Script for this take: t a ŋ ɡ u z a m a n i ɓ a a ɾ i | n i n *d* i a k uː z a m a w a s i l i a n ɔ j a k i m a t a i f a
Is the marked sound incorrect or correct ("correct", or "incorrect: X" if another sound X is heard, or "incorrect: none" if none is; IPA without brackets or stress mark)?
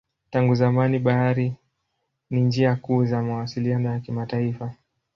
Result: incorrect: d͡ʒ